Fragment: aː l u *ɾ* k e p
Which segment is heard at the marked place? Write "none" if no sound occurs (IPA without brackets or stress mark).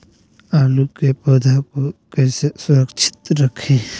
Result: none